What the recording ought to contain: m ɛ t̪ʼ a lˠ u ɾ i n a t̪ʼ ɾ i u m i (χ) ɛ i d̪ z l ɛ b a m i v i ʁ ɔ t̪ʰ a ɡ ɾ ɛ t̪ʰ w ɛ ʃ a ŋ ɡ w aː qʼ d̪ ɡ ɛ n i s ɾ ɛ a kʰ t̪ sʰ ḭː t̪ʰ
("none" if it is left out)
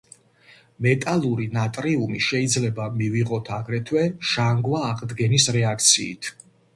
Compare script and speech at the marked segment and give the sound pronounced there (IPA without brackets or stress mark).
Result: ʃ